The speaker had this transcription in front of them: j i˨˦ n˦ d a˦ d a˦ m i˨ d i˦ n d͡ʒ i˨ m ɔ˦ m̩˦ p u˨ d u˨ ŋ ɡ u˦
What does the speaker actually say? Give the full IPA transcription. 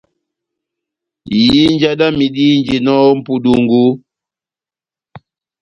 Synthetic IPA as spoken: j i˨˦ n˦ d͡ʒ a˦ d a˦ m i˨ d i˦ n d͡ʒ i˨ n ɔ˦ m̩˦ p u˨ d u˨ ŋ ɡ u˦